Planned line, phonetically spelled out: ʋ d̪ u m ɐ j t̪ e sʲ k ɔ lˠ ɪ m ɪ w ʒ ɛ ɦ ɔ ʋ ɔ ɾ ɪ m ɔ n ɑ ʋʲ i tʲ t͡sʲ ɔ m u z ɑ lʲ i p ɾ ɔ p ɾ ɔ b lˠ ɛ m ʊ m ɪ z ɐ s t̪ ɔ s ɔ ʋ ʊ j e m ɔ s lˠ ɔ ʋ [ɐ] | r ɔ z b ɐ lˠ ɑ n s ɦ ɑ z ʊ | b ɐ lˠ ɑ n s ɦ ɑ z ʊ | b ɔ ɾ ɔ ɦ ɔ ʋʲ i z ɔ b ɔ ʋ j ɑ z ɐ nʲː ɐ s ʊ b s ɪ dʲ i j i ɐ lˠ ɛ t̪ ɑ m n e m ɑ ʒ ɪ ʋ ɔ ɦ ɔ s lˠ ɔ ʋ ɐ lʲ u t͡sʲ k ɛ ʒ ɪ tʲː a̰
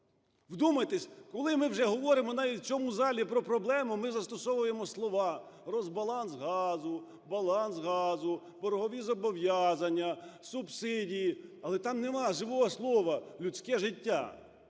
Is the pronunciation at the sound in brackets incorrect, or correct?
incorrect